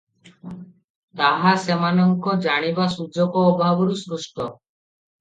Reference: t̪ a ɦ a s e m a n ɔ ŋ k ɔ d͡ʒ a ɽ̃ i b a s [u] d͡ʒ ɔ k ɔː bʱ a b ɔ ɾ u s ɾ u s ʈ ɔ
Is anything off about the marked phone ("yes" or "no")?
no